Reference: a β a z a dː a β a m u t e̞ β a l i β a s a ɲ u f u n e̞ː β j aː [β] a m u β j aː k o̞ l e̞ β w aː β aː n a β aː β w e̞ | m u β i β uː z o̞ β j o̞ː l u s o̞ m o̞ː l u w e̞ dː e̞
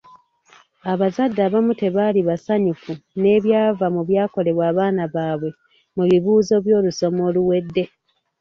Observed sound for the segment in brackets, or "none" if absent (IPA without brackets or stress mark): v